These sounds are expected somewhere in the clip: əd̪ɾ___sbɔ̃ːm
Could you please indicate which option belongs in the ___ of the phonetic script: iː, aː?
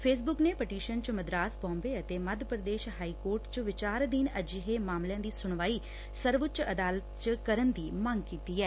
aː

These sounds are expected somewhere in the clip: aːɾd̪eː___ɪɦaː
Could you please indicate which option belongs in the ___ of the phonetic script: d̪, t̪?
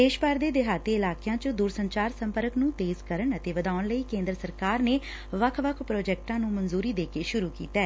d̪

